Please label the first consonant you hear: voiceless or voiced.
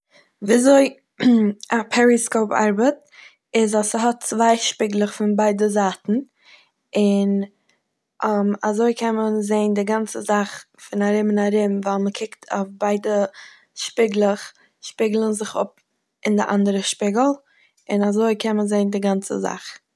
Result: voiced